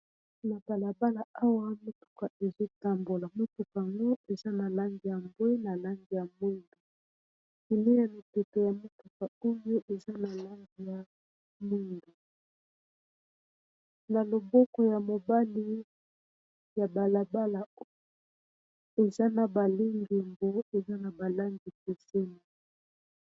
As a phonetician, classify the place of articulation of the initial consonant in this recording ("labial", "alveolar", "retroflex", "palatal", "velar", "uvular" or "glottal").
alveolar